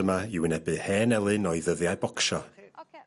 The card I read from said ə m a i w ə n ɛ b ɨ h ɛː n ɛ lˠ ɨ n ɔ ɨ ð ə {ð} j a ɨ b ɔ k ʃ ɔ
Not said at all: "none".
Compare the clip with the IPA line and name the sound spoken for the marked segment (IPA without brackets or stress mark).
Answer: ð